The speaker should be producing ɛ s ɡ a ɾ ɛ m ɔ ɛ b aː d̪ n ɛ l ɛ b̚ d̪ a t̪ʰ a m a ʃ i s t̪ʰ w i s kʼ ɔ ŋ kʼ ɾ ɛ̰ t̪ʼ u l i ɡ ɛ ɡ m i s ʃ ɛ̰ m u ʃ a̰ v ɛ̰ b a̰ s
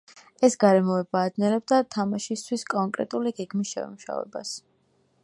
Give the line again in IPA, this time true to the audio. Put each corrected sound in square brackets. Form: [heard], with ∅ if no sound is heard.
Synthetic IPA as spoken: ɛ s ɡ a ɾ ɛ m ɔ ɛ b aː d̪ n ɛ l ɛ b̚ d̪ a t̪ʰ a m a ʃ i s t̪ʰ w i s kʼ ɔ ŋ kʼ ɾ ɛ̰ t̪ʼ u l i ɡ ɛ ɡ m i s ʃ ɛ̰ m u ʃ a̰ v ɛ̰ b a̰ s

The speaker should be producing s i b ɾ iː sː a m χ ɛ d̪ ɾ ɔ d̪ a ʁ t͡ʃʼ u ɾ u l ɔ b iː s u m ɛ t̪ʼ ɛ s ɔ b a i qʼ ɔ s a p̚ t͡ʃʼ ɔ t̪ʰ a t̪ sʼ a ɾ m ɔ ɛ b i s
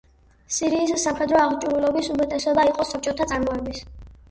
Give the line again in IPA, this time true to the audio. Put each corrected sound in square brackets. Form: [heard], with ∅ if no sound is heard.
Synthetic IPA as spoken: s i [∅] ɾ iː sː a m χ ɛ d̪ ɾ ɔ [∅] a ʁ t͡ʃʼ u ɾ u l ɔ b [i] s u m ɛ t̪ʼ ɛ s ɔ b a i qʼ ɔ s a p̚ t͡ʃʼ ɔ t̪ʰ a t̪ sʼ a ɾ m ɔ ɛ b i s

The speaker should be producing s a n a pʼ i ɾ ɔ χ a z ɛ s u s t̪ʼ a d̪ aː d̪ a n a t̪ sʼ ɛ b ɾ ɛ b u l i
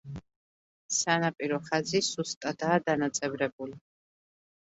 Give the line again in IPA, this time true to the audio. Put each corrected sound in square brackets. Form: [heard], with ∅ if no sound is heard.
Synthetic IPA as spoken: s a n a pʼ i ɾ ɔ χ a z [i] s u s t̪ʼ a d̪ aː d̪ a n a t̪ sʼ ɛ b ɾ ɛ b u l i

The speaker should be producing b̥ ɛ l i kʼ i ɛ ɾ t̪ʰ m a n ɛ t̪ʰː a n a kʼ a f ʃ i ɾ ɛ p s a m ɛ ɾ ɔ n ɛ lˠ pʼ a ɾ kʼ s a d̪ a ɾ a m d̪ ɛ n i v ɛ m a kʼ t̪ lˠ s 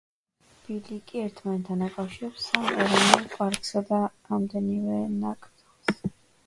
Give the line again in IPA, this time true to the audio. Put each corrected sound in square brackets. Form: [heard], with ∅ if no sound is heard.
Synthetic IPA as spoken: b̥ [i] l i kʼ i ɛ ɾ t̪ʰ m a n ɛ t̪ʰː a n a kʼ a f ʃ i ɾ ɛ p s a m ɛ ɾ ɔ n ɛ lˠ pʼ a ɾ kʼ s a d̪ a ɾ a m d̪ ɛ n i v ɛ [n] a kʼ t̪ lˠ s

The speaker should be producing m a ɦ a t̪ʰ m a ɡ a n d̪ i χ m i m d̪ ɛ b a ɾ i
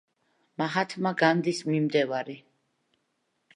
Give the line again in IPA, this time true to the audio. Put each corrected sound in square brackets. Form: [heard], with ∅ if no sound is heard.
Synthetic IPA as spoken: m a ɦ a t̪ʰ m a ɡ a n d̪ i [s] m i m d̪ ɛ [v] a ɾ i

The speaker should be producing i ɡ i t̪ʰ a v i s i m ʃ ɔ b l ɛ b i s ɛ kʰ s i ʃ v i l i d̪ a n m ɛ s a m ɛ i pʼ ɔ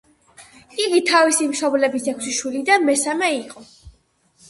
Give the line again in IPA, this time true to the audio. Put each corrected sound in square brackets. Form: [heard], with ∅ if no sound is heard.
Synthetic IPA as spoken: i ɡ i t̪ʰ a v i s i m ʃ ɔ b l ɛ b i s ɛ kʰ s i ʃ [w] i l i d̪ a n m ɛ s a m ɛ i [qʼ] ɔ

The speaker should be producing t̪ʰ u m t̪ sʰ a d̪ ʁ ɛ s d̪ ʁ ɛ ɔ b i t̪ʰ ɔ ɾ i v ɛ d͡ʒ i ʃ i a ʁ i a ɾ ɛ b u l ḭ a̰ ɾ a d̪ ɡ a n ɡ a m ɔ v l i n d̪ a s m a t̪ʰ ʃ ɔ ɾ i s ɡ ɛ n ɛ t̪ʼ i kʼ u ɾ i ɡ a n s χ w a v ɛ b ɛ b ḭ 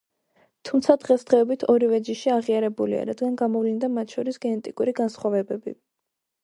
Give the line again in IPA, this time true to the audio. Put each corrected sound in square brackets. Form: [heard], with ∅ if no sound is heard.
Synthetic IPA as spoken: t̪ʰ u m t̪ sʰ a d̪ ʁ ɛ s d̪ ʁ ɛ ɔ b i t̪ʰ ɔ ɾ i v ɛ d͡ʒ i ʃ i a ʁ i a ɾ ɛ b u l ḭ a̰ ɾ a d̪ ɡ a n ɡ a m ɔ v l i n d̪ a [∅] m a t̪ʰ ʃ ɔ ɾ i s ɡ ɛ n ɛ t̪ʼ i kʼ u ɾ i ɡ a n s χ w a v ɛ b ɛ b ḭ

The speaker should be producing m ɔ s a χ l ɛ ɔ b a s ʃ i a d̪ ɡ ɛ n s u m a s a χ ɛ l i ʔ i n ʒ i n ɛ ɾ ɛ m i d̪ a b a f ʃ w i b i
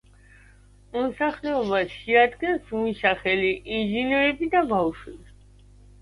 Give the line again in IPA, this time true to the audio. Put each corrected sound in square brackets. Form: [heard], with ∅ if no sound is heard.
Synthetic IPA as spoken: m ɔ s a χ l ɛ ɔ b a s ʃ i a d̪ ɡ ɛ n s u m [i] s a χ ɛ l i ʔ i n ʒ i n ɛ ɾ ɛ [b] i d̪ a b a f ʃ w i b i

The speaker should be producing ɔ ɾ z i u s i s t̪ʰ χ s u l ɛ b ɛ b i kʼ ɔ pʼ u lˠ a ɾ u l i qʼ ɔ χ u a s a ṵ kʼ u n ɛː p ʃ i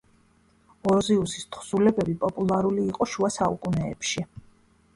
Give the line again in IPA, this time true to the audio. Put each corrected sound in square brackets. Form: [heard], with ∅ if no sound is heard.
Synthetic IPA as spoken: ɔ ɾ z i u s i s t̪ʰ χ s u l ɛ b ɛ b i [pʼ] ɔ pʼ u lˠ a ɾ u l [iː] qʼ ɔ [ʃ] u a s a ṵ kʼ u n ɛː p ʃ i

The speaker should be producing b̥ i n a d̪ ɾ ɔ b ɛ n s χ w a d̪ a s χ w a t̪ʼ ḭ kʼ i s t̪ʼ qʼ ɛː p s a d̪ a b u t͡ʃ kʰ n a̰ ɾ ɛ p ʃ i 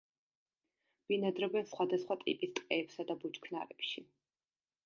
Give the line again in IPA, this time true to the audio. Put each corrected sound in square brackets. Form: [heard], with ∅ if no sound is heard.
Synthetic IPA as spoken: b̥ i n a d̪ ɾ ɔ b ɛ n s χ w a d̪ a s χ w a t̪ʼ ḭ [pʼ] i s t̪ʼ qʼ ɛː p s a d̪ a b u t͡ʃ kʰ n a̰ ɾ ɛ p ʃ i

